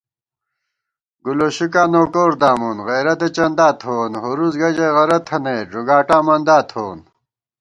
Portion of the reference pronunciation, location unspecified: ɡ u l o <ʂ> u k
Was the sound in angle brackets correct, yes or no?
no